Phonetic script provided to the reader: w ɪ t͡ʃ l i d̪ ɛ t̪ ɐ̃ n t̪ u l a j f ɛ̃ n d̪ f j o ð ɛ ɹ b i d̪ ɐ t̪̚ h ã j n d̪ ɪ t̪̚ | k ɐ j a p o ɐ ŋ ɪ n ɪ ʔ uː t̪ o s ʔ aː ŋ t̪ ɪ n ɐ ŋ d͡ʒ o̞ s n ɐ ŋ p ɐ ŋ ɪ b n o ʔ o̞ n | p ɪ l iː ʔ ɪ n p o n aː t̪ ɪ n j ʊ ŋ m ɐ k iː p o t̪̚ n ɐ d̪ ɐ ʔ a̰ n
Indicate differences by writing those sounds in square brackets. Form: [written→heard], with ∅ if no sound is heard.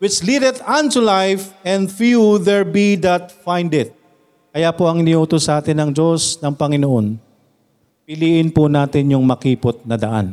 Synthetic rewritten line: w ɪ t͡ʃ l i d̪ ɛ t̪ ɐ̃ n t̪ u l a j f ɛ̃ n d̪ f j [o→u] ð ɛ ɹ b i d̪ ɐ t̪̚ [h→f] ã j n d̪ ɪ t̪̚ | k ɐ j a p o ɐ ŋ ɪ n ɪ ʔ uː t̪ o s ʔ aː [ŋ→∅] t̪ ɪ n ɐ ŋ d͡ʒ o̞ s n ɐ ŋ p ɐ ŋ ɪ [b→∅] n o ʔ o̞ n | p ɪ l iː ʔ ɪ n p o n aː t̪ ɪ n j ʊ ŋ m ɐ k iː p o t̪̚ n ɐ d̪ ɐ ʔ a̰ n